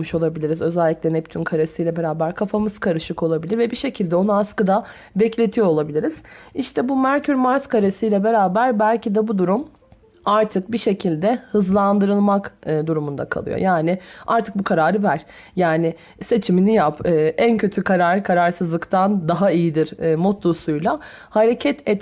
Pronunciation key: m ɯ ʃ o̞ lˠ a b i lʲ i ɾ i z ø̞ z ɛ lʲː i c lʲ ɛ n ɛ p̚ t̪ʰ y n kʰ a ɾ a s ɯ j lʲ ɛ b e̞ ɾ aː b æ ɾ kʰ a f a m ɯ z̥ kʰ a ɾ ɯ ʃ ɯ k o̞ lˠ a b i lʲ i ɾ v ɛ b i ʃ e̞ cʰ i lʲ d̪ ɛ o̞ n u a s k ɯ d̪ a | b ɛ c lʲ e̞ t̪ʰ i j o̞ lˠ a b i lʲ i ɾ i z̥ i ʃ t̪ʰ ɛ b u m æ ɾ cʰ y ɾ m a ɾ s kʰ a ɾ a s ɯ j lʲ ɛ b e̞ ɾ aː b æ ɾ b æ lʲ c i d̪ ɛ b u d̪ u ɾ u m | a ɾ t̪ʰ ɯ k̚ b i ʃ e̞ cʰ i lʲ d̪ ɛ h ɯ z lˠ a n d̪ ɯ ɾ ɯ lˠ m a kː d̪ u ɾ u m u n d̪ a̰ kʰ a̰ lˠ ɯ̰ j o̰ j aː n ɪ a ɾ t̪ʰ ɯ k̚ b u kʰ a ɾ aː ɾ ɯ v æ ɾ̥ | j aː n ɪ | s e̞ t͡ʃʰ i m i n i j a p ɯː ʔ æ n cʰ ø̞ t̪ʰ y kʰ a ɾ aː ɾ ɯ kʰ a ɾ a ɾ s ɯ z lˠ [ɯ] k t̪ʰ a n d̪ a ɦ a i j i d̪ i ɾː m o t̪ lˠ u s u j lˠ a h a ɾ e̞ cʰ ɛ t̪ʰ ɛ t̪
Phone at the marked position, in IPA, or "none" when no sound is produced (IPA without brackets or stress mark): ɯ